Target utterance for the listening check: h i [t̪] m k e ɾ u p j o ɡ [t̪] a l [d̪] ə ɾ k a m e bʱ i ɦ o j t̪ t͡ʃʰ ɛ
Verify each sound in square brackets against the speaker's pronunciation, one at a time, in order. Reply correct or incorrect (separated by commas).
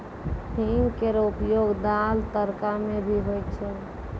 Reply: incorrect, incorrect, incorrect